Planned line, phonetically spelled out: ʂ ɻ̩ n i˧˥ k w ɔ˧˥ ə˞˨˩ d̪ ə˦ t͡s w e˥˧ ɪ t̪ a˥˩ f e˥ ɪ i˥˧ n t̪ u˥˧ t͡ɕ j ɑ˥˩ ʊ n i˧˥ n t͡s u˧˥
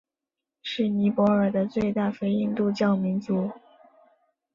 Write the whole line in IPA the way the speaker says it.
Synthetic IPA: ʂ ɻ̩ n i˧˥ p w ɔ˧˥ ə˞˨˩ d̪ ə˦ t͡s w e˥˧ ɪ t̪ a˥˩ f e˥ ɪ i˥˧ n t̪ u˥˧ t͡ɕ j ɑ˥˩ ʊ m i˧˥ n t͡s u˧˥